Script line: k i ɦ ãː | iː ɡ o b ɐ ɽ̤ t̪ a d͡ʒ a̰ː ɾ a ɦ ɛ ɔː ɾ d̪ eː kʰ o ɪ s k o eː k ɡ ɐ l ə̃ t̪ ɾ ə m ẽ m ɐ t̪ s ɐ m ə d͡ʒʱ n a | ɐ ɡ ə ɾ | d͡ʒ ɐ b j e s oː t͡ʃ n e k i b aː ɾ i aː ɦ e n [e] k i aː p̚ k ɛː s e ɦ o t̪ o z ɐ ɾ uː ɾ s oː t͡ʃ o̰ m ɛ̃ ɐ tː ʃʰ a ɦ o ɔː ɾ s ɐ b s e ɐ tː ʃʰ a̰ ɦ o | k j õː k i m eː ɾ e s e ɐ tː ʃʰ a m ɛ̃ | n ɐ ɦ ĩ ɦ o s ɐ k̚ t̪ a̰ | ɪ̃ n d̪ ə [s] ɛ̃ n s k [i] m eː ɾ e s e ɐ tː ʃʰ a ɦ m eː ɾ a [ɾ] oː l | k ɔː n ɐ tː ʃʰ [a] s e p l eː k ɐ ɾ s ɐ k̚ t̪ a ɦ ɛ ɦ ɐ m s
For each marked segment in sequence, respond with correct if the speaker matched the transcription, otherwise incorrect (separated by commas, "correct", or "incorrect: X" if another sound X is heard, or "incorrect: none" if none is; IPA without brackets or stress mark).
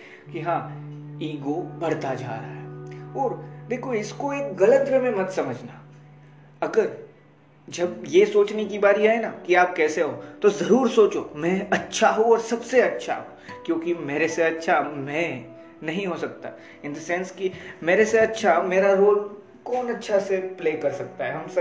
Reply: incorrect: a, correct, correct, correct, correct